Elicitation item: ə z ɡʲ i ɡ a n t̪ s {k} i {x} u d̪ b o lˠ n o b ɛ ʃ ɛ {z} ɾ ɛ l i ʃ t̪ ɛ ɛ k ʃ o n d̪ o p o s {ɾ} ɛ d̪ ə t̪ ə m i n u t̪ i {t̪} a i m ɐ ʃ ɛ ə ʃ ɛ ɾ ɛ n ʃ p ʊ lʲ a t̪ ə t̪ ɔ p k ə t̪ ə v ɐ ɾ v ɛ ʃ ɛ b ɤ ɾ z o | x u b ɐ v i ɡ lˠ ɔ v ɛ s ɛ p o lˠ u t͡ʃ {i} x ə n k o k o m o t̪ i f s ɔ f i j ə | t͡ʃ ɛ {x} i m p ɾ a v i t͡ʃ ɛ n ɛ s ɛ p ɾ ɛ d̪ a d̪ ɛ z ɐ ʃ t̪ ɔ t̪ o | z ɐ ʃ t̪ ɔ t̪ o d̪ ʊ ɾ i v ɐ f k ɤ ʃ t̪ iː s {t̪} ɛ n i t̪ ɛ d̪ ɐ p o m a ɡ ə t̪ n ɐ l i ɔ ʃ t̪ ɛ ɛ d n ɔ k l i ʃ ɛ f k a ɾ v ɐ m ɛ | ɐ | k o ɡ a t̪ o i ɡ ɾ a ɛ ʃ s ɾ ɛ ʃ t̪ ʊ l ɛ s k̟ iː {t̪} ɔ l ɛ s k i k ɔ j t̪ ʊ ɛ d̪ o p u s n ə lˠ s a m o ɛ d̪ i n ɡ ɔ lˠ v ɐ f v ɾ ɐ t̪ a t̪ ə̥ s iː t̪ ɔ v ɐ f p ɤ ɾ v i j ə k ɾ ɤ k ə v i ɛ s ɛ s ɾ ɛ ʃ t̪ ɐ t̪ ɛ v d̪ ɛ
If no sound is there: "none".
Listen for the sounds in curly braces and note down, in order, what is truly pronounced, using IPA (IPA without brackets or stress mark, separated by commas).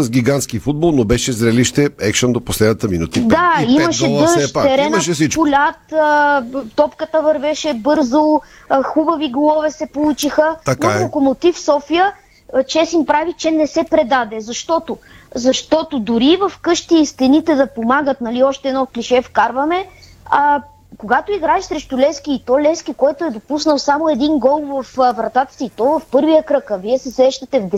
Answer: k, f, z, l, d̪, i, s, t̪, t̪